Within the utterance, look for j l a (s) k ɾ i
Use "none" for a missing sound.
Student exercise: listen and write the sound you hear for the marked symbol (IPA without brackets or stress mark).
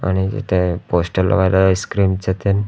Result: s